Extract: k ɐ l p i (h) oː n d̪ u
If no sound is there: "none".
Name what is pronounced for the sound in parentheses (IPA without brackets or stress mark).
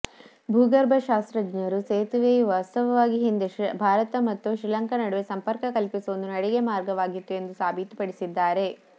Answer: s